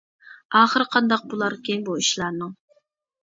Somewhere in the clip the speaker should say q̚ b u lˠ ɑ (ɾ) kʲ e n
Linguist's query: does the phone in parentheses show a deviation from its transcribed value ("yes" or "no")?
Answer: no